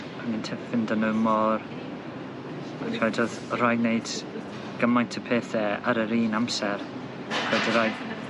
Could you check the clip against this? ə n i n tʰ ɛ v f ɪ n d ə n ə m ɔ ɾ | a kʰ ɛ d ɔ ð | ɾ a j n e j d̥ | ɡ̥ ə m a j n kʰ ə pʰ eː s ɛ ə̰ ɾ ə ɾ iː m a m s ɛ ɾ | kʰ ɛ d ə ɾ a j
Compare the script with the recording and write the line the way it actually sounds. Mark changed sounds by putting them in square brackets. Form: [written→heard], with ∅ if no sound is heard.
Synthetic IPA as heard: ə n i n tʰ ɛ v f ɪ n d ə n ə m ɔ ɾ | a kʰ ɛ d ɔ ð | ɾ a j n e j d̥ | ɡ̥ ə m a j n [kʰ→tʰ] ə pʰ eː [s→θ] ɛ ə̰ ɾ ə ɾ iː [m→n] a m s ɛ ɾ | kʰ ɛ d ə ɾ a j